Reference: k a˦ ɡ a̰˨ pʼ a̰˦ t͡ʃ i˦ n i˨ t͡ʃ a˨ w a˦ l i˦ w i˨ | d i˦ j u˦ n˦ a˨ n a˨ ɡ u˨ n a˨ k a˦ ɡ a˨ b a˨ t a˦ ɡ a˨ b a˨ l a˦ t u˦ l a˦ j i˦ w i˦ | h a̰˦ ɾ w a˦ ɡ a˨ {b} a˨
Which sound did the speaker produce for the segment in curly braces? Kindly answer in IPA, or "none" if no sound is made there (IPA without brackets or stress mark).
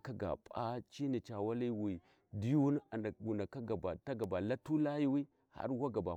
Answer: b